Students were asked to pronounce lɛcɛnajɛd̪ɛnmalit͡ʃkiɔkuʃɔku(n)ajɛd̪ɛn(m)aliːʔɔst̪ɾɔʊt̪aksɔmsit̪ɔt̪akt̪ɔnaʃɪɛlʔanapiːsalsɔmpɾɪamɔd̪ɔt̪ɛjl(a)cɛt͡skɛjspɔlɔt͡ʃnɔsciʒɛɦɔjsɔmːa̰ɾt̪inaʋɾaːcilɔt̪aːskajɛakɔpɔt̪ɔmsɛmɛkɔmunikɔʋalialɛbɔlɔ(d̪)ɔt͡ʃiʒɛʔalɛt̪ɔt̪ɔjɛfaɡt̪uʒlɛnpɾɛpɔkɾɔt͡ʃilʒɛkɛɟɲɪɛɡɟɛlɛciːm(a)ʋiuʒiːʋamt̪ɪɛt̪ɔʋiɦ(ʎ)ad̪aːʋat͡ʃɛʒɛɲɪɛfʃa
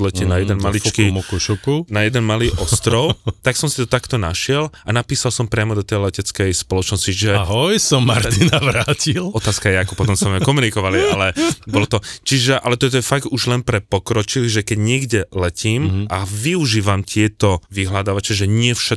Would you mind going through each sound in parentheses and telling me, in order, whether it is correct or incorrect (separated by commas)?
correct, correct, incorrect, incorrect, correct, incorrect